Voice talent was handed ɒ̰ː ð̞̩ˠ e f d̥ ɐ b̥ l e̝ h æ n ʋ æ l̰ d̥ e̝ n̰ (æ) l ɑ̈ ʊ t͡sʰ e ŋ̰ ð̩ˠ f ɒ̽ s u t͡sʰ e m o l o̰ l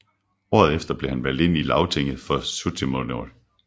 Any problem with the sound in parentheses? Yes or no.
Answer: yes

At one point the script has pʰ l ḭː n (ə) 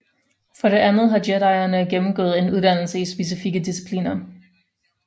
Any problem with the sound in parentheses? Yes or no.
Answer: yes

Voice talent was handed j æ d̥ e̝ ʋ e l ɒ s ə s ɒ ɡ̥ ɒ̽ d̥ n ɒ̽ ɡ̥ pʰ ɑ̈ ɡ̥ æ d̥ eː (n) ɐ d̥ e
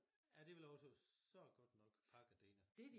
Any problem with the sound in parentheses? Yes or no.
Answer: no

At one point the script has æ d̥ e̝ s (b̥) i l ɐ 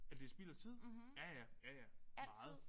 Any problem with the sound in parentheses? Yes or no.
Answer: no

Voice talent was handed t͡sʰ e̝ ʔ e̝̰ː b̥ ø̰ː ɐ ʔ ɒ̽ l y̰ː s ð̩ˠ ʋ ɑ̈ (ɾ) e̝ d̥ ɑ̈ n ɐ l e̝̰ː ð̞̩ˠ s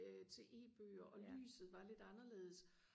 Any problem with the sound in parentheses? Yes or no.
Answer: yes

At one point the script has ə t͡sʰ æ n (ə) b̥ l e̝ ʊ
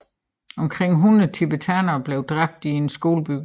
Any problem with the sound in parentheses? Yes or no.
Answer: yes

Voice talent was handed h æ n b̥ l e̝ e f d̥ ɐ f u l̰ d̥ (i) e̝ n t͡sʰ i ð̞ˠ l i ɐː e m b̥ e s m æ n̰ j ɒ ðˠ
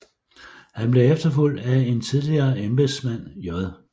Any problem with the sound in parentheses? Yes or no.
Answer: yes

